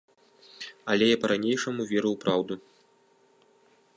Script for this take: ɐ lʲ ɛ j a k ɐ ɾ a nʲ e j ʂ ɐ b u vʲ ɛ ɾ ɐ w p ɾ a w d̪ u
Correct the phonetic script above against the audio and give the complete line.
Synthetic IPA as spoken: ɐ lʲ ɛ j a p ɐ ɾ a nʲ e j ʂ ɐ m u vʲ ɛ ɾ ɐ w p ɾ a w d̪ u